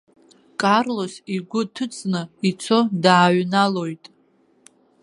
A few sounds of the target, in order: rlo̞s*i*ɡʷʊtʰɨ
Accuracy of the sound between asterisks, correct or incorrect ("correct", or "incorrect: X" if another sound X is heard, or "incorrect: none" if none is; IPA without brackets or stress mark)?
correct